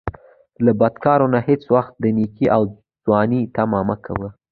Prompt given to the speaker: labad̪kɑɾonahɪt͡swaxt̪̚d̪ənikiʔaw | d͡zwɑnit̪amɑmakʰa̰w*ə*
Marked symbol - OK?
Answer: yes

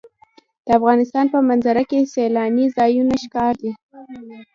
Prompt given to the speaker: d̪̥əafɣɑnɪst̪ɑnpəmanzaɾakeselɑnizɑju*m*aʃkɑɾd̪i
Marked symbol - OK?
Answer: no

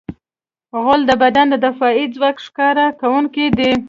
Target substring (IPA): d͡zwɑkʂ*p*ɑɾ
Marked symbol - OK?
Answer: no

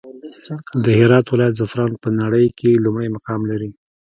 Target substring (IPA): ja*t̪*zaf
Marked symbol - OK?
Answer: yes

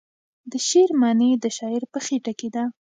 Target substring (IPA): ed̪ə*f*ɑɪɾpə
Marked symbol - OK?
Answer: no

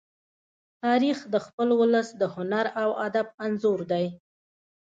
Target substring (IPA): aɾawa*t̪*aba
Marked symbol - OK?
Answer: no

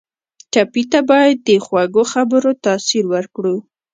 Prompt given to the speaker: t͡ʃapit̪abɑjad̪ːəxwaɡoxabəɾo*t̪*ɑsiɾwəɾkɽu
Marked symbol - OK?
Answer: yes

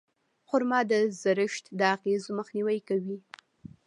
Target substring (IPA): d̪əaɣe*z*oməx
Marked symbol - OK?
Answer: yes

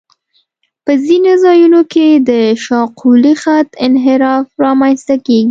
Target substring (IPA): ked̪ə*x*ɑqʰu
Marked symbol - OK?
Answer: no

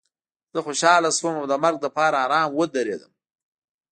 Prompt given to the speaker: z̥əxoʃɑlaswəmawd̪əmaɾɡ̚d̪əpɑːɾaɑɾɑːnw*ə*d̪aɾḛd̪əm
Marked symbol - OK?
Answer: yes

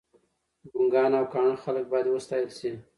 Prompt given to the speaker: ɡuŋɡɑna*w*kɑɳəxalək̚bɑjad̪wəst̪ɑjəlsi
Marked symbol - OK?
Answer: yes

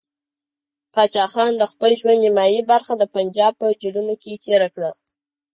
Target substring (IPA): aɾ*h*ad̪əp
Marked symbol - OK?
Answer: no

